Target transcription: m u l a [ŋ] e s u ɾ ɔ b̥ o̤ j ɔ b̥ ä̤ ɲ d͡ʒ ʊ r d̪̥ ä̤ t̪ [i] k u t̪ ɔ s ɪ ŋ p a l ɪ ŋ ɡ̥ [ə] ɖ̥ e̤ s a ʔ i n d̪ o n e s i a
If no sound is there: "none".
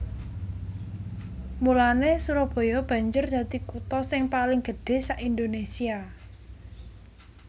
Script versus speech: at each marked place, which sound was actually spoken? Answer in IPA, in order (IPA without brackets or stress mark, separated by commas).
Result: n, i, ə